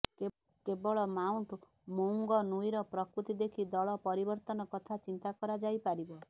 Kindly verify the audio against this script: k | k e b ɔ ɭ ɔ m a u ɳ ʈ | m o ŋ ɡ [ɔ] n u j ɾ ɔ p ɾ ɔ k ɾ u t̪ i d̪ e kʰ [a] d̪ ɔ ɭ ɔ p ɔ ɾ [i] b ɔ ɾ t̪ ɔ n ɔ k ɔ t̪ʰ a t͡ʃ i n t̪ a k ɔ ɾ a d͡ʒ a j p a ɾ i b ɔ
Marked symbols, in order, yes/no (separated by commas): yes, no, yes